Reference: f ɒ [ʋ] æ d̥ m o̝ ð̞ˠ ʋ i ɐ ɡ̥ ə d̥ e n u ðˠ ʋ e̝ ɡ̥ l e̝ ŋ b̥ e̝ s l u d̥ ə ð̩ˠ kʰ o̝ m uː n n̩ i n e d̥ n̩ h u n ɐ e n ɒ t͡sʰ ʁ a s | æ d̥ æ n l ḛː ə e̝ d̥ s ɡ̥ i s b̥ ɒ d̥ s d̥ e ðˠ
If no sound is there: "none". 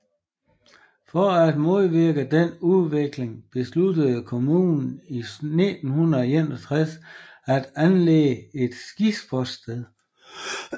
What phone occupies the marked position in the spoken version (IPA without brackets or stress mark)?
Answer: none